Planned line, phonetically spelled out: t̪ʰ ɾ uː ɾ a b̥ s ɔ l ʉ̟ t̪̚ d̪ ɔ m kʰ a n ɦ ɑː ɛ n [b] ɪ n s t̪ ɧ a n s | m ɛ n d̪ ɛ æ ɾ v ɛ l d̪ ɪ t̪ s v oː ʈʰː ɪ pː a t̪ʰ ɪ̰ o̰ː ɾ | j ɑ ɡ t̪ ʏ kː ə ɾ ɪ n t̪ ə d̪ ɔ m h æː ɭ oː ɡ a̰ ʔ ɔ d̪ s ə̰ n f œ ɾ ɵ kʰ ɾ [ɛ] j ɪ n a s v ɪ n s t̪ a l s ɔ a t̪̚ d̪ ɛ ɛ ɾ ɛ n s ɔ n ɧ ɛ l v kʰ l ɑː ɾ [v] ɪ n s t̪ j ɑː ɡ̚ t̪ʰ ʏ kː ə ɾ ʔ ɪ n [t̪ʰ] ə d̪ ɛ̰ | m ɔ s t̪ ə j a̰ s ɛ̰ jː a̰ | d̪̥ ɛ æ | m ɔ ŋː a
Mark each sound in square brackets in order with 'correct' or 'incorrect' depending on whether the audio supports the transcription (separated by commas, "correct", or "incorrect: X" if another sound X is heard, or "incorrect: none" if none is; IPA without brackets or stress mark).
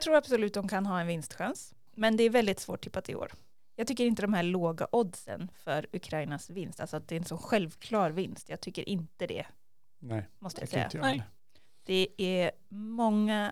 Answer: incorrect: v, incorrect: a, correct, incorrect: t̪